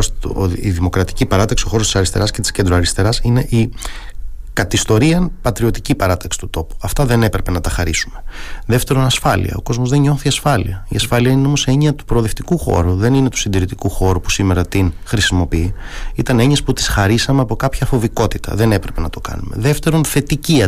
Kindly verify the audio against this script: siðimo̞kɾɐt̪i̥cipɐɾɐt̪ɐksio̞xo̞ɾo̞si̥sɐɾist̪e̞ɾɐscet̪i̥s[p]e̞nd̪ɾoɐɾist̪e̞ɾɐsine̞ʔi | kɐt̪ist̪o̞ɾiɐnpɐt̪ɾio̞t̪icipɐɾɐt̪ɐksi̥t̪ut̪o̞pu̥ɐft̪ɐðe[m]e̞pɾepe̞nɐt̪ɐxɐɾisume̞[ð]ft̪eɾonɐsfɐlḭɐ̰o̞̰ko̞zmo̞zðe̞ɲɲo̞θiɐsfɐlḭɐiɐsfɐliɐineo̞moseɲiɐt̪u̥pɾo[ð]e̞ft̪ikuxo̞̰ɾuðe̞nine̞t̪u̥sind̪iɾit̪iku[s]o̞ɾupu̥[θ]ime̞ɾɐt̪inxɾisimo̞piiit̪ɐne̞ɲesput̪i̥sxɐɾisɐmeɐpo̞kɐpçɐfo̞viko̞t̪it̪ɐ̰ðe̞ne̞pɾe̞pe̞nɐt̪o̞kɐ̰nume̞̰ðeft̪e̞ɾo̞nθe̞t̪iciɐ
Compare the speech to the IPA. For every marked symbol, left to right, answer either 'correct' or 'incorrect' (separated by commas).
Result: incorrect, incorrect, correct, correct, incorrect, incorrect